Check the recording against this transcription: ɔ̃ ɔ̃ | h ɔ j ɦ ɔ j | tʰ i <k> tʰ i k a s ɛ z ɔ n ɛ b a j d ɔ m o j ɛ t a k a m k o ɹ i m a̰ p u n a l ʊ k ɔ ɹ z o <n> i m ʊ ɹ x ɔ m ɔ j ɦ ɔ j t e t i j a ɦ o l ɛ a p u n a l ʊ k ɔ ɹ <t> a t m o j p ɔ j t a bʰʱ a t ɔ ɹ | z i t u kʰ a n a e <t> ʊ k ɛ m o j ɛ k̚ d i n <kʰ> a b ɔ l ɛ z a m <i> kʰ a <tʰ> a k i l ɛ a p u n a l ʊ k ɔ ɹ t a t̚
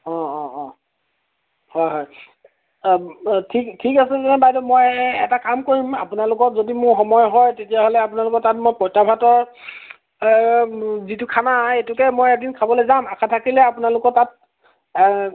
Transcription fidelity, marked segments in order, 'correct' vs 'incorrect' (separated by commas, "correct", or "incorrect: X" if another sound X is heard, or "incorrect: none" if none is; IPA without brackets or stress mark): correct, incorrect: d, correct, correct, correct, incorrect: a, correct